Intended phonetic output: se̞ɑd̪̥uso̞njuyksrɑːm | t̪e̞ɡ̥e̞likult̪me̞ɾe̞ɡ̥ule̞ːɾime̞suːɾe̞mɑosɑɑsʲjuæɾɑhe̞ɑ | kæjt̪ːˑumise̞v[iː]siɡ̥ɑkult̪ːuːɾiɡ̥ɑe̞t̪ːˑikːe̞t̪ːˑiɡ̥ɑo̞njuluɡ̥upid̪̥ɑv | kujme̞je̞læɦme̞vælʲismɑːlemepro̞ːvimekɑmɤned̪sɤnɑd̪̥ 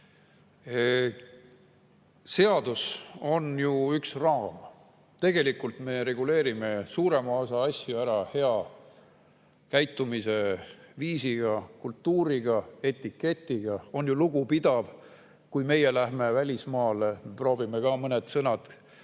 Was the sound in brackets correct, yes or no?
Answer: yes